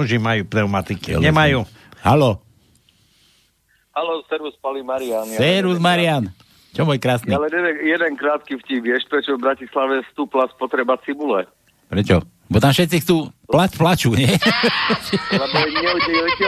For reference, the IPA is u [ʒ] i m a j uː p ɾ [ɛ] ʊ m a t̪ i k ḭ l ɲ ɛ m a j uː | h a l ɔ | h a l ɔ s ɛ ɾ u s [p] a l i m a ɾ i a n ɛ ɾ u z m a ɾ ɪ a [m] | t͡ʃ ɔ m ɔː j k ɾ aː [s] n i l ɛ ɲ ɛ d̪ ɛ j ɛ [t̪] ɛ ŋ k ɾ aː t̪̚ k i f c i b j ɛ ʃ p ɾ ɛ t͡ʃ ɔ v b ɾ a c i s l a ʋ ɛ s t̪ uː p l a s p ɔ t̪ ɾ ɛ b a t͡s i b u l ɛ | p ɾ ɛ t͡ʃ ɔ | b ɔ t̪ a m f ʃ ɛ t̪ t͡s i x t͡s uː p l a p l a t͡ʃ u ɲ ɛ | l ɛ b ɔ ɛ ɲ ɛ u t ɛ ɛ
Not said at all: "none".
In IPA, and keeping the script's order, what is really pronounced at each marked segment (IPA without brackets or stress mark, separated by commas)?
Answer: ʒ, ɛ, p, n, s, d̪